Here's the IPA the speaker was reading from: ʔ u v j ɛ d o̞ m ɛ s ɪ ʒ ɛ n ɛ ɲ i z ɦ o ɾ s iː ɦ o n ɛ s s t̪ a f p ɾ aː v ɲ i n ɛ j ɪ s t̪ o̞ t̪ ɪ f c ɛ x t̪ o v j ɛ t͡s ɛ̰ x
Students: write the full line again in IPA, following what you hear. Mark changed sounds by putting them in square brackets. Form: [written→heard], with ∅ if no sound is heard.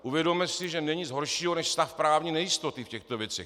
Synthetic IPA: ʔ u v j ɛ d o̞ m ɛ s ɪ ʒ ɛ n ɛ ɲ i z ɦ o ɾ [s→ʃ] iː ɦ o n ɛ [s→ʃ] s t̪ a f p ɾ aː v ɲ i n ɛ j ɪ s t̪ o̞ t̪ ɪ f c ɛ x t̪ o v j ɛ t͡s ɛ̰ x